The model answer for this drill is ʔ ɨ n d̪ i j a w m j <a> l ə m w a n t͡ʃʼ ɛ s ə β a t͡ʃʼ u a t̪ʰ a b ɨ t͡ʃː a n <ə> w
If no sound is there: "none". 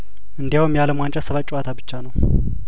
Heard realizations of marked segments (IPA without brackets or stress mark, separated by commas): a, ə